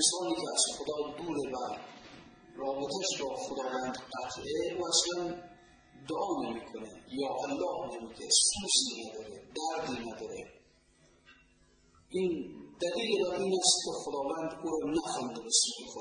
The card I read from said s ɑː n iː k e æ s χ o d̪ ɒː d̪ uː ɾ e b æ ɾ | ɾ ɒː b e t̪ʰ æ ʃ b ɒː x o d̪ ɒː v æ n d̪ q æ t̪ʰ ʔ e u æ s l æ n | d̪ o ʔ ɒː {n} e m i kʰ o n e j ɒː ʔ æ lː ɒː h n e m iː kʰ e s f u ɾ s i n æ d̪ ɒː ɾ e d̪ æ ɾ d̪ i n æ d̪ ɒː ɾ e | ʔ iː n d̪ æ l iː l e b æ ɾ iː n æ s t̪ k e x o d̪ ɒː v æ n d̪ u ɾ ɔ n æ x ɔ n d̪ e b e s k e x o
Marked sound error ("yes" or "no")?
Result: no